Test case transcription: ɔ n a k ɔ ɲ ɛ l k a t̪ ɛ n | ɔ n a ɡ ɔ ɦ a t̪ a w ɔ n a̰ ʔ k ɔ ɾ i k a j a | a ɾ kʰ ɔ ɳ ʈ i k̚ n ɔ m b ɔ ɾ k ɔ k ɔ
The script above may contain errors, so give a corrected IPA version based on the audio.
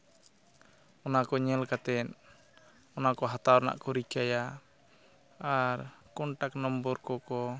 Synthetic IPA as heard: ɔ n a k ɔ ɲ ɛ l k a t̪ ɛ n | ɔ n a k ɔ ɦ a t̪ a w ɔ n a̰ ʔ k ɔ ɾ i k a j a | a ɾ k ɔ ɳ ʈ a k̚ n ɔ m b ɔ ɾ k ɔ k ɔ